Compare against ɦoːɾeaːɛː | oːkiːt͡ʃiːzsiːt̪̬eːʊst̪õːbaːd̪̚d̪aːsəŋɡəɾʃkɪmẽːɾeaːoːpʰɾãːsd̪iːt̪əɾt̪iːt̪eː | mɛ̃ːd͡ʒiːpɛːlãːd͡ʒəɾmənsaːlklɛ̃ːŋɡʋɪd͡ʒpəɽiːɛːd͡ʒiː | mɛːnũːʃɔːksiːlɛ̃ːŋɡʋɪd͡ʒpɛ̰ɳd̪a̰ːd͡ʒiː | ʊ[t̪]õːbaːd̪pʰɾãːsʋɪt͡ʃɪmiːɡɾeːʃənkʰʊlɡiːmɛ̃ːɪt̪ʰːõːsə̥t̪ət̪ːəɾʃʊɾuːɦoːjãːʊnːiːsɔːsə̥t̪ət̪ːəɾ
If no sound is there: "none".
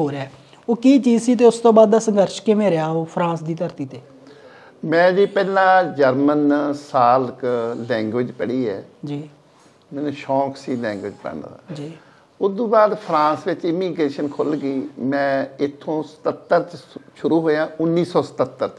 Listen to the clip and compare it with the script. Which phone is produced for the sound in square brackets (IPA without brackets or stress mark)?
d̪